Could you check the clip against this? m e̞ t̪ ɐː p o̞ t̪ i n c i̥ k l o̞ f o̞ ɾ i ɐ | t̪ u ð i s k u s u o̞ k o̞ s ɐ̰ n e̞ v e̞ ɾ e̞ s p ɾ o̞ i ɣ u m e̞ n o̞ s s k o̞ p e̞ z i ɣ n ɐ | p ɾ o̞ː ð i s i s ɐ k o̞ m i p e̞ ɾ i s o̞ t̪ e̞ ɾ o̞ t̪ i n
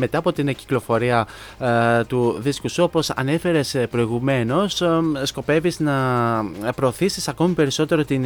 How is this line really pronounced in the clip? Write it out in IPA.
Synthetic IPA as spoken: m e̞ t̪ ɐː p o̞ t̪ i n c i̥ k l o̞ f o̞ ɾ i ɐ | t̪ u ð i s k u s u o̞ p o̞ s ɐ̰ n e̞ f e̞ ɾ e̞ s p ɾ o̞ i ɣ u m e̞ n o̞ s s k o̞ p e̞ v i z n ɐ | p ɾ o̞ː θ i s i s ɐ k o̞ m i p e̞ ɾ i s o̞ t̪ e̞ ɾ o̞ t̪ i n